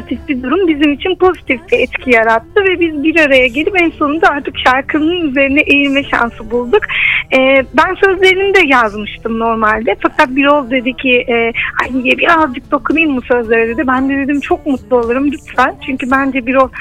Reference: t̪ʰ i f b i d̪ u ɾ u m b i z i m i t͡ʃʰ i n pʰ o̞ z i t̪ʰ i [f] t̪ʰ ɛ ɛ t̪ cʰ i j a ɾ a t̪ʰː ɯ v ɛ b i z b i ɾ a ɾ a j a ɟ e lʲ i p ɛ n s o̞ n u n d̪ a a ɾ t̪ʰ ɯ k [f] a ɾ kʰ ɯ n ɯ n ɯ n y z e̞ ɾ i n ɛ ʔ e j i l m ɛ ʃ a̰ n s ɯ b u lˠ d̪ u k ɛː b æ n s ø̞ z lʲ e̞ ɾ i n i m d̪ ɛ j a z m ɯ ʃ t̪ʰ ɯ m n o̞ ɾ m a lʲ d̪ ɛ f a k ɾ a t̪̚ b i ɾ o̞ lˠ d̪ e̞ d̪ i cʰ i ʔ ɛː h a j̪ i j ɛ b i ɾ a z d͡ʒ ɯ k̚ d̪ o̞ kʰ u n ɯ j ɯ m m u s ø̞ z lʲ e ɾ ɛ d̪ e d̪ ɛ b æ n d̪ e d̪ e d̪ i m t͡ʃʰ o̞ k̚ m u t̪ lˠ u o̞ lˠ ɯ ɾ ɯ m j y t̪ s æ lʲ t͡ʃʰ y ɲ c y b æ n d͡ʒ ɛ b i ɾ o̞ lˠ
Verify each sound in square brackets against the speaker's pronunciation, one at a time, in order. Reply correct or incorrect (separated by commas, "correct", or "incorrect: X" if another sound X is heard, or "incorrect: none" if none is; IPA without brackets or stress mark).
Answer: correct, incorrect: ʃ